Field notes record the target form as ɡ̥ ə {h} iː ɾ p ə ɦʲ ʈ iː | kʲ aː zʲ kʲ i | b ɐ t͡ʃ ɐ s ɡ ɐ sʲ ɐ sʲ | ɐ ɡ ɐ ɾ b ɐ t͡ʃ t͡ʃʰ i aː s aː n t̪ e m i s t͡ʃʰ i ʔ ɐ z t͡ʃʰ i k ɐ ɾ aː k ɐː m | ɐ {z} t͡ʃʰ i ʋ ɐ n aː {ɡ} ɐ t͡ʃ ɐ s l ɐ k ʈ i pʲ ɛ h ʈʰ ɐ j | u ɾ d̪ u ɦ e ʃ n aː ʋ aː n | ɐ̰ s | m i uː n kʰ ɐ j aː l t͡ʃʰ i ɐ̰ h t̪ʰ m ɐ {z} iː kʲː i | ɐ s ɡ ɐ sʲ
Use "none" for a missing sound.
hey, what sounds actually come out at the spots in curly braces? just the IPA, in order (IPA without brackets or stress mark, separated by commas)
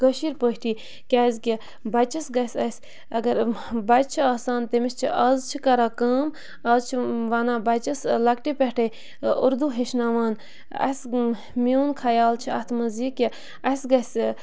ʃ, z, b, z